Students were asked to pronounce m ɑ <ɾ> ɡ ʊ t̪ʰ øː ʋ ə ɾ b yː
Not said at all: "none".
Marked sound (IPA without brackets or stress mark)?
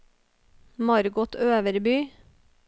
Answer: ɾ